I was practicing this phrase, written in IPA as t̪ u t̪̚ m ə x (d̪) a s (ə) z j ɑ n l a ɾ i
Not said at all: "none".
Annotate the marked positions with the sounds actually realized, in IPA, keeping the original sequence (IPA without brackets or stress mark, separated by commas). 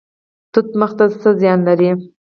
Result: t̪, ə